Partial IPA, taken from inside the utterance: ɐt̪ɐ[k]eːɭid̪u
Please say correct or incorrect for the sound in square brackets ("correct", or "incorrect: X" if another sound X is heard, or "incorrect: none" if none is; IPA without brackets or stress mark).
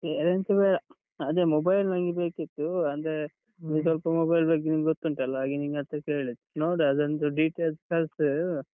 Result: correct